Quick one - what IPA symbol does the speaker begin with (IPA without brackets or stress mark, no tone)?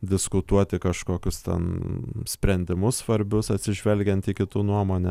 d̪ʲ